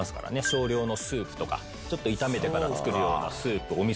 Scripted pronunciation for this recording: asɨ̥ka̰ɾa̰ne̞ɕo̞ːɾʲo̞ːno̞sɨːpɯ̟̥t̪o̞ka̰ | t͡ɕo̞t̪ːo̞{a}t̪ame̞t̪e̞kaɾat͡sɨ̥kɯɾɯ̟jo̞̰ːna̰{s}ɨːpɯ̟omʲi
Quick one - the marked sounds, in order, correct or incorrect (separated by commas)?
incorrect, correct